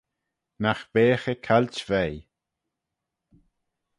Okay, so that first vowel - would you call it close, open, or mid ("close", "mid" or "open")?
open